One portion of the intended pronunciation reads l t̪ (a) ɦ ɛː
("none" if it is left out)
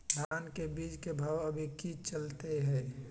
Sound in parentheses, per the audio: e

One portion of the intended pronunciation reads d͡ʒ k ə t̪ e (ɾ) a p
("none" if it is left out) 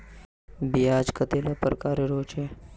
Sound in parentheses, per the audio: l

